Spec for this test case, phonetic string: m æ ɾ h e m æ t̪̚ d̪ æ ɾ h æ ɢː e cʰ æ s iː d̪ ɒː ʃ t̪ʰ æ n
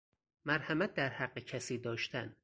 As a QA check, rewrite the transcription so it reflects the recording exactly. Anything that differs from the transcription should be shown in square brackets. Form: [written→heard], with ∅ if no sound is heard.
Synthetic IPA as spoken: m æ ɾ h [e→æ] m æ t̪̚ d̪ æ ɾ h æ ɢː e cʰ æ s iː d̪ ɒː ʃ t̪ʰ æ n